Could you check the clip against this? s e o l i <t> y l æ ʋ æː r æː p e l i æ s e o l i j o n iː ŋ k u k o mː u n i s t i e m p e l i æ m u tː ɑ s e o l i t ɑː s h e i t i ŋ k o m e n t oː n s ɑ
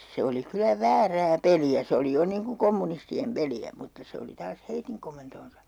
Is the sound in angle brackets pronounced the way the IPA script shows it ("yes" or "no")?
no